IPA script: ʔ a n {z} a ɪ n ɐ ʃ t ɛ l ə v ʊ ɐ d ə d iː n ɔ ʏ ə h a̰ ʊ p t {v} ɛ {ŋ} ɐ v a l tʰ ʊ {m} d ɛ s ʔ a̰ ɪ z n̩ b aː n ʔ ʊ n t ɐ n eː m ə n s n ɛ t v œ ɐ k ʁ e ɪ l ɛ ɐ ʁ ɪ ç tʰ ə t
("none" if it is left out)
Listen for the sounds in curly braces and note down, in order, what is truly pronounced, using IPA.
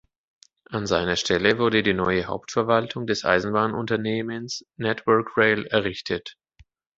z, f, none, ŋ

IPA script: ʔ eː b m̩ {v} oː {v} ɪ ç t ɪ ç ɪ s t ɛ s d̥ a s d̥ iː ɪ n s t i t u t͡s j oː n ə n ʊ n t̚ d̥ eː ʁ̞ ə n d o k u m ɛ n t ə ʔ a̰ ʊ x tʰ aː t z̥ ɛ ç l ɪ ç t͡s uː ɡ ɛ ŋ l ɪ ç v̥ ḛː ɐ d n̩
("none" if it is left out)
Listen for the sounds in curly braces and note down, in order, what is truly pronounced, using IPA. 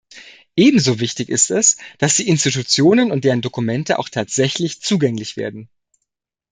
z, v

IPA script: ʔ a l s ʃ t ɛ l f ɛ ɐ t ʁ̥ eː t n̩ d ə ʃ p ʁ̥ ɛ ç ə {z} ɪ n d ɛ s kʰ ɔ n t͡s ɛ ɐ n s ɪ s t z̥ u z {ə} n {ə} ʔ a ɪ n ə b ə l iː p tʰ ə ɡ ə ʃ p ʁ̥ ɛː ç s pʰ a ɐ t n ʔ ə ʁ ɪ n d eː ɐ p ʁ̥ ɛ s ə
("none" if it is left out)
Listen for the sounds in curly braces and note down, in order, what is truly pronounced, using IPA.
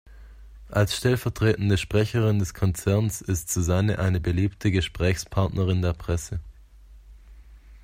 ʁ, a, ə

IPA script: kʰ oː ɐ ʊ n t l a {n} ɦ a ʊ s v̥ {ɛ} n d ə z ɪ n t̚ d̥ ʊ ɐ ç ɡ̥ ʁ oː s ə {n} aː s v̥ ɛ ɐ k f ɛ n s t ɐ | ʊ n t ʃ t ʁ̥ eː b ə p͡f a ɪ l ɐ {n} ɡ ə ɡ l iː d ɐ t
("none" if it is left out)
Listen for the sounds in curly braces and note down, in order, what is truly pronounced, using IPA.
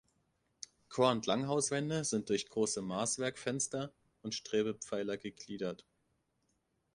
ŋ, ɛ, m, none

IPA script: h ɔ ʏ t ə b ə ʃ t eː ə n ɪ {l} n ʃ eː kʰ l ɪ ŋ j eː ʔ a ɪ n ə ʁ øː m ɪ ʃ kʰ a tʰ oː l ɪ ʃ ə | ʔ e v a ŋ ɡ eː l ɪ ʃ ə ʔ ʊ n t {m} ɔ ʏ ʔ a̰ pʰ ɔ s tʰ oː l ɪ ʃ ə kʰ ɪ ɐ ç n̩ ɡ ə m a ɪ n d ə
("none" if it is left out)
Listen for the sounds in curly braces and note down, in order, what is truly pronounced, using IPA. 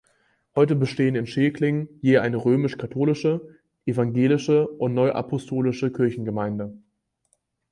none, n

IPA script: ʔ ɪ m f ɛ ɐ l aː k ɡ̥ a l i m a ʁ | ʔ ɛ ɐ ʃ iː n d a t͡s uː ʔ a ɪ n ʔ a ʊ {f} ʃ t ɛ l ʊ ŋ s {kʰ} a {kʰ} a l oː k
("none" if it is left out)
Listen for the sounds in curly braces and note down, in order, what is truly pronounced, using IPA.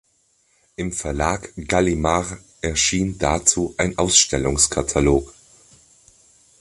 s, kʰ, tʰ

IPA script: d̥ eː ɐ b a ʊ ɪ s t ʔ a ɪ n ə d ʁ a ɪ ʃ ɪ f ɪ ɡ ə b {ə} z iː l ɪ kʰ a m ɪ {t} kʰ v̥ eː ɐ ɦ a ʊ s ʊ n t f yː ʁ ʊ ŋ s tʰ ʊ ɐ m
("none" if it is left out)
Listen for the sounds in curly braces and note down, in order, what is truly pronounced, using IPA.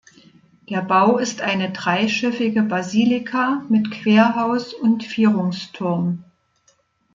a, t

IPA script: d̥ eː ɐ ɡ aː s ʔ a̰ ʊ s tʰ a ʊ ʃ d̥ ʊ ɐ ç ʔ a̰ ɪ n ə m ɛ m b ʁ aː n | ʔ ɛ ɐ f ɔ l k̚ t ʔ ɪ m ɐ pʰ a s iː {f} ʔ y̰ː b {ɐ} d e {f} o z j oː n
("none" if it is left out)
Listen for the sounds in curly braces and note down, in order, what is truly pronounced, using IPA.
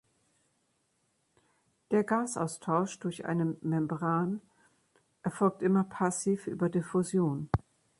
f, ɐ, f

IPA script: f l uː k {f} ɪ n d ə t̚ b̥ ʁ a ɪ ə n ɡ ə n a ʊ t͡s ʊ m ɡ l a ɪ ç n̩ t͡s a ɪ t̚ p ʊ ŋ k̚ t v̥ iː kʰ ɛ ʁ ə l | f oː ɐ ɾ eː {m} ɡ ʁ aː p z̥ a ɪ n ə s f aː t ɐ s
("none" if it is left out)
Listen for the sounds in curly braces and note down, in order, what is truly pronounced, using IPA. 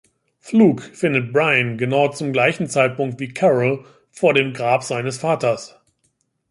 f, m

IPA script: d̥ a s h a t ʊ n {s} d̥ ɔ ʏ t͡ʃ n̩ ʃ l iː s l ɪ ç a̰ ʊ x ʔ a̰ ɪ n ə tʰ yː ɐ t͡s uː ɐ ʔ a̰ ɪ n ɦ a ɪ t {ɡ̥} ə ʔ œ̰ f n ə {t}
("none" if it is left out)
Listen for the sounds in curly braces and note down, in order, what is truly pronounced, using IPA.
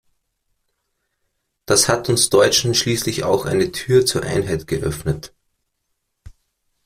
s, ɡ̥, t

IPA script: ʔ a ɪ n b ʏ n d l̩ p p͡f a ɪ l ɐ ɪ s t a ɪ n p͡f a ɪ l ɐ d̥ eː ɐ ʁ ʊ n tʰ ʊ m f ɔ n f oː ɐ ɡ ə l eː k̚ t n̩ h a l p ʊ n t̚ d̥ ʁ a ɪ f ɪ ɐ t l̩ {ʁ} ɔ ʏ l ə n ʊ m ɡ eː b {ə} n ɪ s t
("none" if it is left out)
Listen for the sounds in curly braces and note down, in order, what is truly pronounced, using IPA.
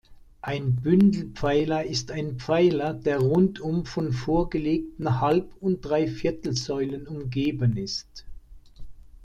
z, ə

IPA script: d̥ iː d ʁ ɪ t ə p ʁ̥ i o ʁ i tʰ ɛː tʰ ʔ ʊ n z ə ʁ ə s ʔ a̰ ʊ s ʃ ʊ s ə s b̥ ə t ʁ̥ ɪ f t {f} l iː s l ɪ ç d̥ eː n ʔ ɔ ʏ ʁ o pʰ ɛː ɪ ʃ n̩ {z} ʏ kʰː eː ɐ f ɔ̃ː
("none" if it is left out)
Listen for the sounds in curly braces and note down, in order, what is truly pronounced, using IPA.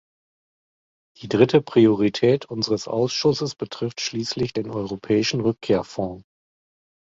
ʃ, ʁ

